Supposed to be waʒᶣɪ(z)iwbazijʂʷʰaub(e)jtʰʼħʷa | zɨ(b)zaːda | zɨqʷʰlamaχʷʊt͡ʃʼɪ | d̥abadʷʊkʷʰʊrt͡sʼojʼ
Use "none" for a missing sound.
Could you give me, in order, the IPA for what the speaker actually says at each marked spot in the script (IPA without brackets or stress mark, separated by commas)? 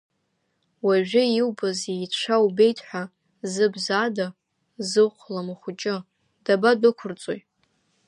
none, e, b